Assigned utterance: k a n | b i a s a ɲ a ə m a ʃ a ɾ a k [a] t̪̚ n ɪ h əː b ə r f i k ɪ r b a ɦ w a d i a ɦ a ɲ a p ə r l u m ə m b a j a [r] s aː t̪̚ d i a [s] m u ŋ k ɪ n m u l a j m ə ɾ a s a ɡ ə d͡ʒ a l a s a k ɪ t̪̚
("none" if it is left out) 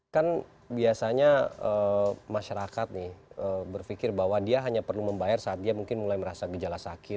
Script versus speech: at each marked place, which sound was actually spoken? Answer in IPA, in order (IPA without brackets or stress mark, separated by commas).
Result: a, r, none